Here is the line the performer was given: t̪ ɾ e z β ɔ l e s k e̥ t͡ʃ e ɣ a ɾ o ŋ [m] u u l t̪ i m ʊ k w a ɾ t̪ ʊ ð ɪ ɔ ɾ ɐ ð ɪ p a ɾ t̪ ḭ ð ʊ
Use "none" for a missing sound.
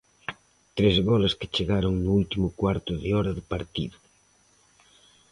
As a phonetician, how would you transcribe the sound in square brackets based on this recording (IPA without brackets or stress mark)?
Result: n